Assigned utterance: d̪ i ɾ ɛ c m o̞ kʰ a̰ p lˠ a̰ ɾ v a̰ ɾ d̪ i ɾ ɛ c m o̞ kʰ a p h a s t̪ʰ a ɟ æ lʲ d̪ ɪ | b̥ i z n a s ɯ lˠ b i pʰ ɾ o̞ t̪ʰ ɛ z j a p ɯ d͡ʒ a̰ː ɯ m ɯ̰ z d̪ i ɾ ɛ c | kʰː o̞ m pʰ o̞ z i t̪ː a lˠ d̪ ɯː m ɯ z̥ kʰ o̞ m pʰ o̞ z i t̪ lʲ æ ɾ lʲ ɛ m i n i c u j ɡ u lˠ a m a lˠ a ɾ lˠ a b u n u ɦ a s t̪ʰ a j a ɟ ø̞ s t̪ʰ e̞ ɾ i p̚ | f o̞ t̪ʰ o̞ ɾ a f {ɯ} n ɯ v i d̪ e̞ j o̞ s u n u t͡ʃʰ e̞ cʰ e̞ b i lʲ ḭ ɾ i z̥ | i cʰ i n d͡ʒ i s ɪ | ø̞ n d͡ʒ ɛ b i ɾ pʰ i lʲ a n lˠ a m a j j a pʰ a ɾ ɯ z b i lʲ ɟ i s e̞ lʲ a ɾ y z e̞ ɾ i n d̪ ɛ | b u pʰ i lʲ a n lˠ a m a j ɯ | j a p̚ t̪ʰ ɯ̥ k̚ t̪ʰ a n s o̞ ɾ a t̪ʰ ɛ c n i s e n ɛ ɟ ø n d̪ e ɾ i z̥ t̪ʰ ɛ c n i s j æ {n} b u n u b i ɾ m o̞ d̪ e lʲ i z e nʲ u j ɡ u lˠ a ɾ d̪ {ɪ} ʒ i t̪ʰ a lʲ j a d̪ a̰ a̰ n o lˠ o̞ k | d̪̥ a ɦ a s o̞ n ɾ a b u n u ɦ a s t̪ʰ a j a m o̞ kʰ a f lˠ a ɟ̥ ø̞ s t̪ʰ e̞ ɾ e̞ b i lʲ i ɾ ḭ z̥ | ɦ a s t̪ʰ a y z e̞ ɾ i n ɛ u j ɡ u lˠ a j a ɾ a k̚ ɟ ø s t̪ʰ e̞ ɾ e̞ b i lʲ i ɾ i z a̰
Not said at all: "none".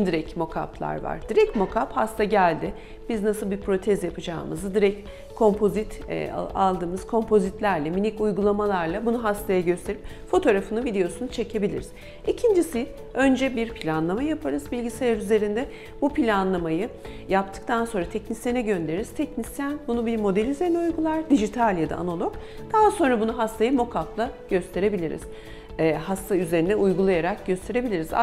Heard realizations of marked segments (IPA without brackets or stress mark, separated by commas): ɯ, n, i